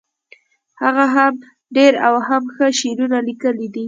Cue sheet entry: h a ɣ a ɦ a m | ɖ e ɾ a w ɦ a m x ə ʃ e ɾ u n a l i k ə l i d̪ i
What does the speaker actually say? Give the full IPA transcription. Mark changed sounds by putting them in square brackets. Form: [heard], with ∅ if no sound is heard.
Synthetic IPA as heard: h a ɣ a ɦ a m | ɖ e ɾ a w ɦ a m x ə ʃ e ɾ u n a l i k ə l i d̪ i

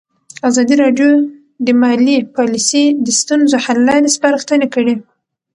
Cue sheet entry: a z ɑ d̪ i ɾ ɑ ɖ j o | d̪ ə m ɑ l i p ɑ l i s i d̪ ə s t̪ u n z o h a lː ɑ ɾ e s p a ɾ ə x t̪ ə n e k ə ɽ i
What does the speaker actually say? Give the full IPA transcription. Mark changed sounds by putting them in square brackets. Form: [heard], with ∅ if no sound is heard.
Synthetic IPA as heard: a z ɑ d̪ i ɾ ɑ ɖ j o | d̪ ə m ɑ l i p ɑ l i s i d̪ ə s t̪ u n z o h a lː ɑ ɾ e s p a ɾ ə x t̪ ə n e k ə ɽ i

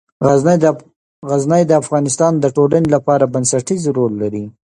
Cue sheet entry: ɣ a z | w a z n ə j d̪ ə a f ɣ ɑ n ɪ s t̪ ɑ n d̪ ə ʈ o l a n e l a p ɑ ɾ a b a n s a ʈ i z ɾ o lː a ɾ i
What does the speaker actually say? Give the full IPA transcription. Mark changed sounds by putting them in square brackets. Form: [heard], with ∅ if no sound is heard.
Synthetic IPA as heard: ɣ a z | [ɣ] a z n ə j d̪ ə a f ɣ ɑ n ɪ s t̪ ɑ n d̪ ə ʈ o l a n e l a p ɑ ɾ a b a n s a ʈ i z ɾ o lː a ɾ i

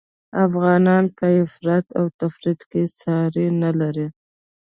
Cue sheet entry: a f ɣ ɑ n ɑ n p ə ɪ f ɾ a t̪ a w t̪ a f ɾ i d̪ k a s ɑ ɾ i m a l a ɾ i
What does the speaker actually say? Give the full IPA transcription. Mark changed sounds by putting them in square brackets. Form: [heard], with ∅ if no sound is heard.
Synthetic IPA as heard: a f ɣ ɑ n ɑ n p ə ɪ f ɾ a t̪ a w t̪ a f ɾ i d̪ k [e] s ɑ ɾ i [n] a l a ɾ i

